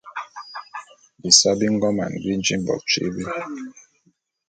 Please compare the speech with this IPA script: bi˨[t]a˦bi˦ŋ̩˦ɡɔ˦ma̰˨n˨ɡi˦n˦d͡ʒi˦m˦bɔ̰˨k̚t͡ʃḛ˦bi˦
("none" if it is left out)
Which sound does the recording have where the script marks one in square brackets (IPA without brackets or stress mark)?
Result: s